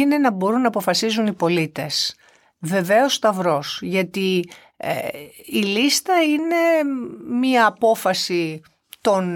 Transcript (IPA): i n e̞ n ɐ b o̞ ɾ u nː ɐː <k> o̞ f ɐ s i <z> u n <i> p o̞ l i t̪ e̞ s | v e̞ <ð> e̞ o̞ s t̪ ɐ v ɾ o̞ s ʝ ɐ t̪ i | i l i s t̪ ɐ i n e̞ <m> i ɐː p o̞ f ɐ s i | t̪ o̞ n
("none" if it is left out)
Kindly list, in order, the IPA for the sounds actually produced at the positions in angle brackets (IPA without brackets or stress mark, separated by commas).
p, z, i, v, m